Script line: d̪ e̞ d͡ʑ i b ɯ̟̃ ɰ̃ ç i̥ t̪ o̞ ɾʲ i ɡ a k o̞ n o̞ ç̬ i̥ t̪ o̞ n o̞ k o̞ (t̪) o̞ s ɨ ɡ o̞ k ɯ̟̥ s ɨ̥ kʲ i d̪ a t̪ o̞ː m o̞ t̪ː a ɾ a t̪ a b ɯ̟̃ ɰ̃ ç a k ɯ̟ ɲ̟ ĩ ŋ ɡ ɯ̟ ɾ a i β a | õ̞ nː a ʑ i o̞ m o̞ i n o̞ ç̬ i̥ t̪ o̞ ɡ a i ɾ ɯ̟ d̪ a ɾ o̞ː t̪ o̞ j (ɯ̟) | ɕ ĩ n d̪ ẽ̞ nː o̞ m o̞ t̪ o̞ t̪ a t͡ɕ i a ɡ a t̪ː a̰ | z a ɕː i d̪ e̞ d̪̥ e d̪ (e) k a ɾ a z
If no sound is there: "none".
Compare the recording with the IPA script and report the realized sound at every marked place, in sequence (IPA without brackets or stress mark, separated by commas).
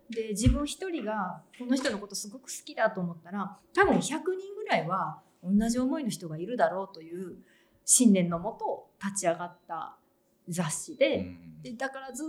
t̪, ɯ̟ː, a